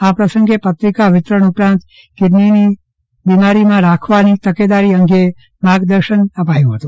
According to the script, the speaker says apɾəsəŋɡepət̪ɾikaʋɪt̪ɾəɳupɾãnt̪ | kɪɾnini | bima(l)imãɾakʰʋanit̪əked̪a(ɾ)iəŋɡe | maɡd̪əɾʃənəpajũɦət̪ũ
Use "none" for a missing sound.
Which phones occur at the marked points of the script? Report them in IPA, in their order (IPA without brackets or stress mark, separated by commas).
ɾ, ɾ